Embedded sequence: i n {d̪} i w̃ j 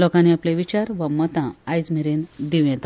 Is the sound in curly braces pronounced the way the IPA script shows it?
yes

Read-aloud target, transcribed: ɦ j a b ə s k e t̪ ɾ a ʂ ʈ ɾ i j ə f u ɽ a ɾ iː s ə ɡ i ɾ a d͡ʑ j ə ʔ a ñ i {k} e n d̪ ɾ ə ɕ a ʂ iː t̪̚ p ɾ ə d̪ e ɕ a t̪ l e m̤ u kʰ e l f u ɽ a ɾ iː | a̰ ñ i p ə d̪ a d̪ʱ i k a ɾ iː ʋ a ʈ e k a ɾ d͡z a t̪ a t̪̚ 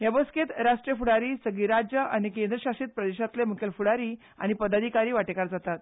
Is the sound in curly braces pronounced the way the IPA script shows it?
yes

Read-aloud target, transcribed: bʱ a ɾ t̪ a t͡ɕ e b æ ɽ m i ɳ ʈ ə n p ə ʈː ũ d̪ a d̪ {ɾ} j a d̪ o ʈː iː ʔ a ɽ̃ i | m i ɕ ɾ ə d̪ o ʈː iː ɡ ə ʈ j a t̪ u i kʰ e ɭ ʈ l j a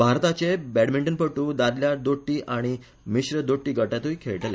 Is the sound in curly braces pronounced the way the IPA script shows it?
no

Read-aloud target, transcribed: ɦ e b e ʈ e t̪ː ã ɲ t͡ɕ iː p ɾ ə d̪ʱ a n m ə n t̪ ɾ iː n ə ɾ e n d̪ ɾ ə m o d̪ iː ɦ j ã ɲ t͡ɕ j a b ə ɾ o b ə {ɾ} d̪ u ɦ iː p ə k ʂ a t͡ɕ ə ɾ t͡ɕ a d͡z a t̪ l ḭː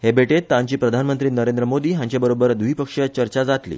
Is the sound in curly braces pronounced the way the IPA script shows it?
yes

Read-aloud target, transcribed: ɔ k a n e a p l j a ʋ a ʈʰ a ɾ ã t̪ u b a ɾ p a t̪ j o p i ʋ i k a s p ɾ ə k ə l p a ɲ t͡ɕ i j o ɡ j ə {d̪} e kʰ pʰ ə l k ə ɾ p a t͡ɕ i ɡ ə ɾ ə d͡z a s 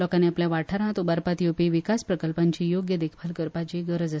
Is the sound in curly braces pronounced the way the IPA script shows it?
yes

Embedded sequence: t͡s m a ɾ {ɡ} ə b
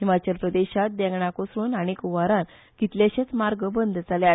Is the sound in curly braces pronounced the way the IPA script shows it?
yes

